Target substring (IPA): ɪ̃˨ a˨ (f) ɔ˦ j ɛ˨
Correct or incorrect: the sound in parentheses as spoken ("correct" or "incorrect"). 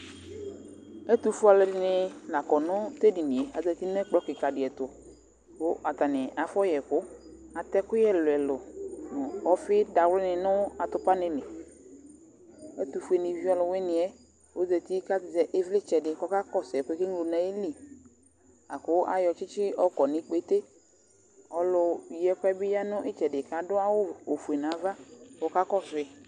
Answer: correct